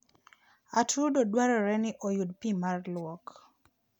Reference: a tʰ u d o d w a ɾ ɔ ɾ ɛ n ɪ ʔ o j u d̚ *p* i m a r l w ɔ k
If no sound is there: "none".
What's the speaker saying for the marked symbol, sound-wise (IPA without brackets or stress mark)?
p